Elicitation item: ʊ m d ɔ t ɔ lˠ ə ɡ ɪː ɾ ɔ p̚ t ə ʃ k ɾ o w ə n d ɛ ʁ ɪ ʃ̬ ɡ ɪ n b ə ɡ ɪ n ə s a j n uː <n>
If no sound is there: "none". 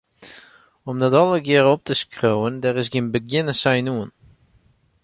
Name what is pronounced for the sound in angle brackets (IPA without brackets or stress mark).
n